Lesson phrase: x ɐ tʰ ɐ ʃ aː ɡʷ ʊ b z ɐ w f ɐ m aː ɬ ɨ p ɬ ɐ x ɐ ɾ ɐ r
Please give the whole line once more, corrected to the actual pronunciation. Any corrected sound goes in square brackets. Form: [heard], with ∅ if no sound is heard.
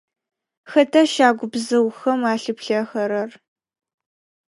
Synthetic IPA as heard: x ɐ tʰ ɐ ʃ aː ɡʷ ʊ b z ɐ w [x] ɐ m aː ɬ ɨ p ɬ ɐ x ɐ ɾ ɐ r